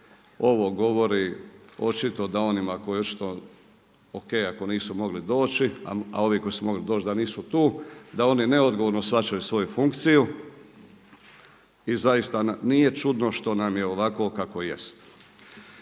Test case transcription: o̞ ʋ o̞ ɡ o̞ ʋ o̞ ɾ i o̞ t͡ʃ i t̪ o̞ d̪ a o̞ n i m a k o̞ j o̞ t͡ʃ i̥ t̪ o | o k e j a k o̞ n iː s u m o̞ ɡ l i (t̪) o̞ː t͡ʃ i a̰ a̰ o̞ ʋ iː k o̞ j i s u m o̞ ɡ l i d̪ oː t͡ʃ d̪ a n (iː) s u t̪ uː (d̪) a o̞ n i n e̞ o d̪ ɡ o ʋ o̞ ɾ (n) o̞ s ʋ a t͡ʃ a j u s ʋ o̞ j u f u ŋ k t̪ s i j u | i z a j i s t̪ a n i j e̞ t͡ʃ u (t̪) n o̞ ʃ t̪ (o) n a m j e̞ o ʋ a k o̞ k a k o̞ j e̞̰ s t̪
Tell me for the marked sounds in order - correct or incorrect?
incorrect, correct, correct, correct, incorrect, correct

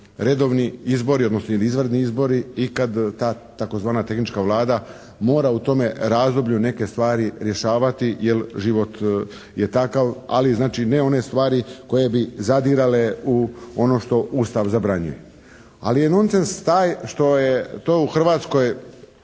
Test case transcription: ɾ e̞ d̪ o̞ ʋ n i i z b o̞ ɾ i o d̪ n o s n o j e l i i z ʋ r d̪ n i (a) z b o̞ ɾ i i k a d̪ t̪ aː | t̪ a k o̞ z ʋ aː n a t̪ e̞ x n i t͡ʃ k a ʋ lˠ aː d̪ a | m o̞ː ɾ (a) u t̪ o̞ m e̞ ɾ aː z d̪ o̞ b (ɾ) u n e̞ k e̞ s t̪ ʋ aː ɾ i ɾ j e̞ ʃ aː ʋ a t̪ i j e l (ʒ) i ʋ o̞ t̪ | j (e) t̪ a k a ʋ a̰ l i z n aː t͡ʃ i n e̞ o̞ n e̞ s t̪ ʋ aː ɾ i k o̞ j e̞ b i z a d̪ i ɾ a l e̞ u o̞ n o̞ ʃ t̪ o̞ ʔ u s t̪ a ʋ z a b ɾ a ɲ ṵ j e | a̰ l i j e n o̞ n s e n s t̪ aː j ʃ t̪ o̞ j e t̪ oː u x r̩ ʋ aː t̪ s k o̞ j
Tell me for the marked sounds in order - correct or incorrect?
incorrect, correct, incorrect, correct, correct

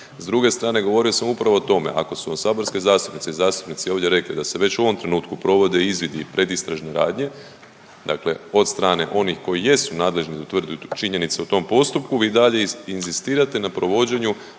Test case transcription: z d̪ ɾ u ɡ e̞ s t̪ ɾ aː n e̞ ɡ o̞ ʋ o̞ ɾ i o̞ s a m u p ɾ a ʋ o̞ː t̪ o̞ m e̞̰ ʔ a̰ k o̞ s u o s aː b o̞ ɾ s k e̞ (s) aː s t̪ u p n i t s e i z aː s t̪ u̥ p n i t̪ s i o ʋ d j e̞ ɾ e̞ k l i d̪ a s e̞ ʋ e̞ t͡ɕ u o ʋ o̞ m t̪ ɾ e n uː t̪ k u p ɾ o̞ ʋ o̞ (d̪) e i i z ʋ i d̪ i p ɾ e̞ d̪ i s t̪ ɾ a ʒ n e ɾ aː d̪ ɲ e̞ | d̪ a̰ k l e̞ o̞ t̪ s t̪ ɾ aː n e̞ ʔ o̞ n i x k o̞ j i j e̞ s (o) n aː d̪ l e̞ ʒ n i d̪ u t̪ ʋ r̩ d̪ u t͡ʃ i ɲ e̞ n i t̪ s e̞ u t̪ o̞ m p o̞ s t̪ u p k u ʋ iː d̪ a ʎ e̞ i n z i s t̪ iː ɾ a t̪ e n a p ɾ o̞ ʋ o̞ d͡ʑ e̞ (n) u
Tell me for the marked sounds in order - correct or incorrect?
incorrect, correct, incorrect, incorrect

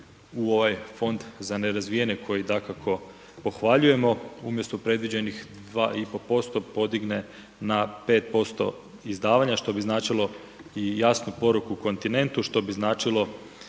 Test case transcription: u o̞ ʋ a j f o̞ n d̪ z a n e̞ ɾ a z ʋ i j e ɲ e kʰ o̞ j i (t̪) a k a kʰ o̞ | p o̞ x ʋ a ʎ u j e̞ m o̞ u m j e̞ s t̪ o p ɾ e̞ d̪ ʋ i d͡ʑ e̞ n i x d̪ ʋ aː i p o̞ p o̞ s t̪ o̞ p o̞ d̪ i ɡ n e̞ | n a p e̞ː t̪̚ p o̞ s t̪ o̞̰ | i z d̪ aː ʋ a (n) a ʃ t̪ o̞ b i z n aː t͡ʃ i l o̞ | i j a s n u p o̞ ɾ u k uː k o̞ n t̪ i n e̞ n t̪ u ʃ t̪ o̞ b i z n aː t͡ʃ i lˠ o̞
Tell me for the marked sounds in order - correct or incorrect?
incorrect, incorrect

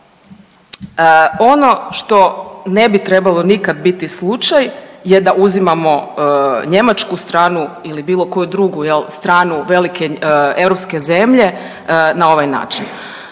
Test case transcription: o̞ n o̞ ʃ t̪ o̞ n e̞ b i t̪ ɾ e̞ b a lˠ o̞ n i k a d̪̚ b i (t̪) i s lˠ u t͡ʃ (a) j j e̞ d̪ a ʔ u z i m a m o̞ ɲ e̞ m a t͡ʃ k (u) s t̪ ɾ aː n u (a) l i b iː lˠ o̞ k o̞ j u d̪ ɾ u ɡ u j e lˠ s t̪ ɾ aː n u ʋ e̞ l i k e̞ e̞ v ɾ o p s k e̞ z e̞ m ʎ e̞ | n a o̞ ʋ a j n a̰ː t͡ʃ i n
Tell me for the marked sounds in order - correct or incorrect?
correct, correct, correct, incorrect

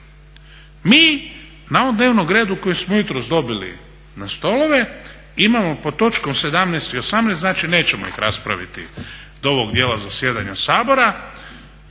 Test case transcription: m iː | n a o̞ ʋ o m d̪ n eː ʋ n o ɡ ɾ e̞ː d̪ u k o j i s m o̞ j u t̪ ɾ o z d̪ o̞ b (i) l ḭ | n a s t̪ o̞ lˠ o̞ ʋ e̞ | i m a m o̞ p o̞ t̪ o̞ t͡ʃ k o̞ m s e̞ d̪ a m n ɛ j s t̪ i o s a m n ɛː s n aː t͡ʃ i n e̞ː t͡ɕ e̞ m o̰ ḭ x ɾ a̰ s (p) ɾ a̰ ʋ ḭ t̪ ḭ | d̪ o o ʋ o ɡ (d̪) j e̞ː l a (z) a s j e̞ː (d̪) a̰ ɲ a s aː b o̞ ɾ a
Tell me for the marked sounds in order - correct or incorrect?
correct, correct, correct, correct, correct

